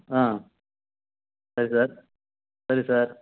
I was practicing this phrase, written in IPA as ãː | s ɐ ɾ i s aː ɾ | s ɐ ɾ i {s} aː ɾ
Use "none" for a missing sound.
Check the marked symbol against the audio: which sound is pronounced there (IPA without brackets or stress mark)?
s